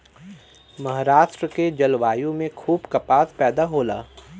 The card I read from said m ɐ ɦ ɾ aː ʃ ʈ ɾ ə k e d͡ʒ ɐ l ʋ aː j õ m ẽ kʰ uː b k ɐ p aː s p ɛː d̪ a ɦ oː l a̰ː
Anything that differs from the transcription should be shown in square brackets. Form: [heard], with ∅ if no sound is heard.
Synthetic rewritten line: m ɐ ɦ ɾ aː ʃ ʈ ɾ ə k e d͡ʒ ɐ l ʋ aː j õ m ẽ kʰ uː b k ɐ p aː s p ɛː d̪ a ɦ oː l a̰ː